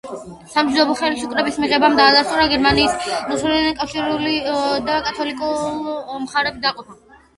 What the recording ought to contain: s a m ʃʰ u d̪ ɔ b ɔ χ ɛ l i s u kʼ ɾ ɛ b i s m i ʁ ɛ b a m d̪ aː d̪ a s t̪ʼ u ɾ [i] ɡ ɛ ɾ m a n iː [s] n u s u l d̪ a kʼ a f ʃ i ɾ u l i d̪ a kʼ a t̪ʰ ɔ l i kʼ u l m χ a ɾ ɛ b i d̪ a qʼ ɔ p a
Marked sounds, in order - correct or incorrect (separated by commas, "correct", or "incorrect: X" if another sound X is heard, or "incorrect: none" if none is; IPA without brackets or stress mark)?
incorrect: a, correct